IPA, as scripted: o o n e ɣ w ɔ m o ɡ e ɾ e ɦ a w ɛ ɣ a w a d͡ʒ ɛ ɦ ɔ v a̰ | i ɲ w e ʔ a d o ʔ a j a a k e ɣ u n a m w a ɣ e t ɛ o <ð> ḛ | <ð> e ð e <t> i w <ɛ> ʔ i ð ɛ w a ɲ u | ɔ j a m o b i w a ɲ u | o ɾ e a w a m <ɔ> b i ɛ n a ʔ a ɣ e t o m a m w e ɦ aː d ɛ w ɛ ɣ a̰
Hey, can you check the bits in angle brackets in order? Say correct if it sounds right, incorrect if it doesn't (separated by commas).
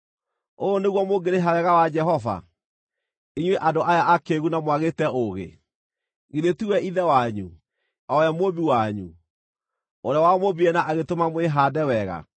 incorrect, incorrect, correct, correct, incorrect